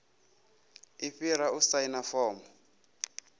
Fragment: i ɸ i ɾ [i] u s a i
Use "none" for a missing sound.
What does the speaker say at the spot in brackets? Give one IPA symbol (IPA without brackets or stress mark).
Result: a